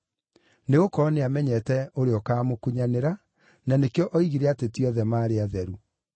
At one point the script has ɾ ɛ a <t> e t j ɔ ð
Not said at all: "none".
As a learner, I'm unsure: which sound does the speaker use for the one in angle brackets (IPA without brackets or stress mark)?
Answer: t